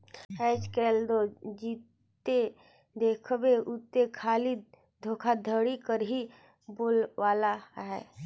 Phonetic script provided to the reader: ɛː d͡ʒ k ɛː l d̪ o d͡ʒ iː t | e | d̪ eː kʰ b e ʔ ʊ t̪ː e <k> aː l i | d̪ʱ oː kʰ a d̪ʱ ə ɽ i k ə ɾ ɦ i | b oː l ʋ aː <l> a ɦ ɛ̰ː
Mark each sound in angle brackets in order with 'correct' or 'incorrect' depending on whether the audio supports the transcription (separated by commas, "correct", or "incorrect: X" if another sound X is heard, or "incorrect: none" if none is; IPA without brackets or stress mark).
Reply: incorrect: kʰ, correct